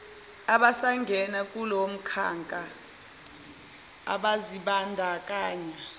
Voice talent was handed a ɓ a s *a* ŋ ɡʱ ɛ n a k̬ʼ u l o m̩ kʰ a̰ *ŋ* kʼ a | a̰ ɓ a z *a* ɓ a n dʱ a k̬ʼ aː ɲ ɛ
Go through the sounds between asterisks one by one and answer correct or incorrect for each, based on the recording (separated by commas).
correct, correct, incorrect